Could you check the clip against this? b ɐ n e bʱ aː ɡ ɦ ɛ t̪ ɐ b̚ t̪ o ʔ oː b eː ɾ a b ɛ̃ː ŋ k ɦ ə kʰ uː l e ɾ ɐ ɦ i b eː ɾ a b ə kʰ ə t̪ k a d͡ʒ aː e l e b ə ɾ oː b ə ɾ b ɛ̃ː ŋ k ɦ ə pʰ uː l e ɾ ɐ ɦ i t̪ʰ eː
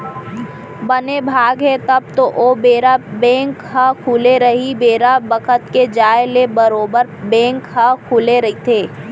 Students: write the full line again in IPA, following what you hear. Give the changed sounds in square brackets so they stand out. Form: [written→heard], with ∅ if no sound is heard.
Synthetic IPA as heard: b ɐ n e bʱ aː ɡ ɦ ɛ t̪ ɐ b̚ t̪ o ʔ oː b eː ɾ a b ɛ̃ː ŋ k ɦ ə kʰ uː l e ɾ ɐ ɦ i b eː ɾ a b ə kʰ ə t̪ k [a→e] d͡ʒ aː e l e b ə ɾ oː b ə ɾ b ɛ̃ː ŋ k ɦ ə [pʰ→kʰ] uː l e ɾ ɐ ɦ i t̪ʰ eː